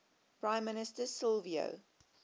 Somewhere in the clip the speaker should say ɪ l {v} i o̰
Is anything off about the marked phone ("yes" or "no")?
no